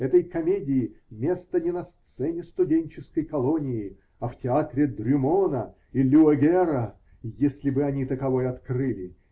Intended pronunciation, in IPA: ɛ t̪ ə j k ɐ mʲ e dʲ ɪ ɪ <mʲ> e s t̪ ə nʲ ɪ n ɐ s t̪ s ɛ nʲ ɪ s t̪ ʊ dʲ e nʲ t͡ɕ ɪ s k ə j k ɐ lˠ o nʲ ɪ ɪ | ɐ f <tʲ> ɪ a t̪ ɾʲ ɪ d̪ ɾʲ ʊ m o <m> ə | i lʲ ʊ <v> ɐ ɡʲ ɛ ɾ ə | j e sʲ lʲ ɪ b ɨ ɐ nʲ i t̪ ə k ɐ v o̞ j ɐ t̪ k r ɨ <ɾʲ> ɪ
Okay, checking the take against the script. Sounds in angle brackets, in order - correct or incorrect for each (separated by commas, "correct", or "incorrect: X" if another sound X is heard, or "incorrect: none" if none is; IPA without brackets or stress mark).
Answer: correct, correct, incorrect: n, incorrect: none, incorrect: lʲ